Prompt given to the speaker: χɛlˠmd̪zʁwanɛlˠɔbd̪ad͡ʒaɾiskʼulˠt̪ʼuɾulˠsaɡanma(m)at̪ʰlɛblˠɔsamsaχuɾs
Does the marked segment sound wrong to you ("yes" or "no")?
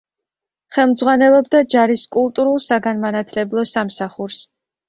yes